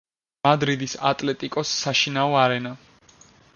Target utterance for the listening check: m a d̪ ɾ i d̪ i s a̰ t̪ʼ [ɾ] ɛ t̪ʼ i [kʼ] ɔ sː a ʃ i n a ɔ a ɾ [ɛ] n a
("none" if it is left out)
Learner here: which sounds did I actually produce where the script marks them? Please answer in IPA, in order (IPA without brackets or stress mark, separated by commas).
l, kʼ, ɛ